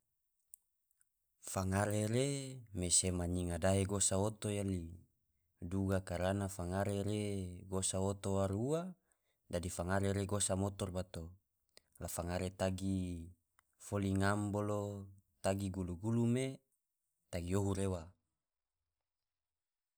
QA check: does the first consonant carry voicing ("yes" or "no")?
no